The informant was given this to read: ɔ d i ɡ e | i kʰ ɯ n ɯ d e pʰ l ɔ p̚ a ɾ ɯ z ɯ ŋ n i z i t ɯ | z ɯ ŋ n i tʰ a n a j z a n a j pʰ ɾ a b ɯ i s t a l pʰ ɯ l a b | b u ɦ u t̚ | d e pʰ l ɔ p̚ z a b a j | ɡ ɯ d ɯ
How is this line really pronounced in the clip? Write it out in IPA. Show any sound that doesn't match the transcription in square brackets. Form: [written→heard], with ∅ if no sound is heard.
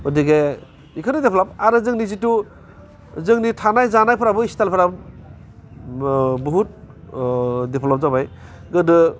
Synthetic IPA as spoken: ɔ d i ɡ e | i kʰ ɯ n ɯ d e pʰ l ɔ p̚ a ɾ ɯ z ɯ ŋ n i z i t [ɯ→u] | z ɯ ŋ n i tʰ a n a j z a n a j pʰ ɾ a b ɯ i s t a l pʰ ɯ [l→ɾ] a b | b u ɦ u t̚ | d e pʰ l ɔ p̚ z a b a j | ɡ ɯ d ɯ